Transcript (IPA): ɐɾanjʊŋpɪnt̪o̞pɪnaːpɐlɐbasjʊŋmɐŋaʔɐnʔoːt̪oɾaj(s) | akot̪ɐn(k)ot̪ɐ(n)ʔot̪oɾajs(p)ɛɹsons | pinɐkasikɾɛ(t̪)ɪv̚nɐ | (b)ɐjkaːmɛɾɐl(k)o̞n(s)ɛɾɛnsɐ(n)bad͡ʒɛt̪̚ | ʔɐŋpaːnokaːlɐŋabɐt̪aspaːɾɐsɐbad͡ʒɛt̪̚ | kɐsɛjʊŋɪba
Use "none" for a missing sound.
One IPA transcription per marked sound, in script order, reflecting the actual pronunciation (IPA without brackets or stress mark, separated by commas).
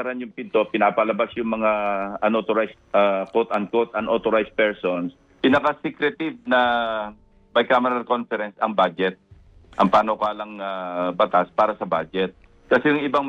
s, k, n, p, t̪, b, k, f, ŋ